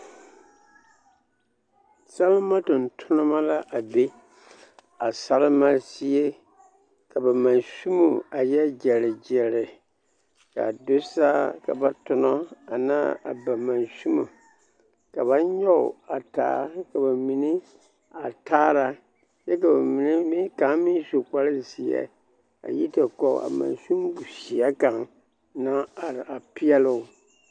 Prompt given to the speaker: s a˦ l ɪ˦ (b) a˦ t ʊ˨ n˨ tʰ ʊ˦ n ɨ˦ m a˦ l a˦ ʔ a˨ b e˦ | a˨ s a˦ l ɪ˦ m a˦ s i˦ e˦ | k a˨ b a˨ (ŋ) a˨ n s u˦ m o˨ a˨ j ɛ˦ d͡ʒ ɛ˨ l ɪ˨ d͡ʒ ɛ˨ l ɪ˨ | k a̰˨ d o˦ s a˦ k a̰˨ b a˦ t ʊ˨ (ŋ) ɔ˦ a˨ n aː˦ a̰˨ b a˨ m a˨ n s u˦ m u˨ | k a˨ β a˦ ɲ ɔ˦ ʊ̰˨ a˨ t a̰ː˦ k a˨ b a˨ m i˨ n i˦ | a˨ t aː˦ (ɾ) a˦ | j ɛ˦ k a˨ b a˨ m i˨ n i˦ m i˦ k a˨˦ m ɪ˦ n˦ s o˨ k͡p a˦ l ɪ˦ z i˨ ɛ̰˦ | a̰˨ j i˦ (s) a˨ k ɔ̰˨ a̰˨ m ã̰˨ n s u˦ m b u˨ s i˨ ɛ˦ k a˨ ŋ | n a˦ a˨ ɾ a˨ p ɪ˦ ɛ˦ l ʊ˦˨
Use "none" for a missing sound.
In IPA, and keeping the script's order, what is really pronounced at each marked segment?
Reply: m, m, n, ɾ, t

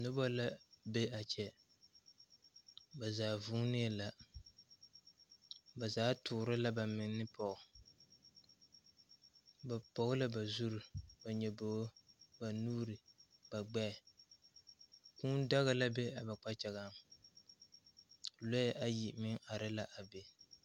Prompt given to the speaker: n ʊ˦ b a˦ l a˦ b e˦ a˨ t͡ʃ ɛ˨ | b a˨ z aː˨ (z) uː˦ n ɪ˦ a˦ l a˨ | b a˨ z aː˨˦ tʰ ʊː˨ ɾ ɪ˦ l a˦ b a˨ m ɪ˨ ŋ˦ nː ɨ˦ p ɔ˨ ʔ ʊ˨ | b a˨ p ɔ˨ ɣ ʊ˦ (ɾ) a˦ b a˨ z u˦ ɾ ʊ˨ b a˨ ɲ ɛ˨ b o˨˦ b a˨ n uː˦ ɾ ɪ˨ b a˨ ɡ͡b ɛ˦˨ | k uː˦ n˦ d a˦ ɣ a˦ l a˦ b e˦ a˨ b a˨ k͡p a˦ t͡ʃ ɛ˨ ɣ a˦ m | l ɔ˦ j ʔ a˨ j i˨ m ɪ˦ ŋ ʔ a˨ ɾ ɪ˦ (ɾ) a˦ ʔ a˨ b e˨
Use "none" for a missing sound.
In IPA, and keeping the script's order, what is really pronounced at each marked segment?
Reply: v, l, l

